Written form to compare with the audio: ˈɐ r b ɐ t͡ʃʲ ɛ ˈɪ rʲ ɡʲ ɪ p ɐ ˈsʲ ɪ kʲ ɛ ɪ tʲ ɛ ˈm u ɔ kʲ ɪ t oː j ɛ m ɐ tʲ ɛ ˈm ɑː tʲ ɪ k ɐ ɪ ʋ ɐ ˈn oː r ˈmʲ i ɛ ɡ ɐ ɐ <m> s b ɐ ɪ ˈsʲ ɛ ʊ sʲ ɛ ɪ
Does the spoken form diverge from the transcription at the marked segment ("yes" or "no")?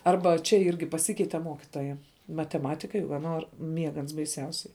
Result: yes